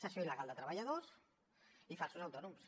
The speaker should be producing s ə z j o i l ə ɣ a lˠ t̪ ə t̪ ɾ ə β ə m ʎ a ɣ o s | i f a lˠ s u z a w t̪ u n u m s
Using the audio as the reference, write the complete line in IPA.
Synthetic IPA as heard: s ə s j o i l ə ɣ a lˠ d̪ ə t̪ ɾ ə β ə ʎ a ð o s | i f a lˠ s u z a w t̪ ɔ n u m s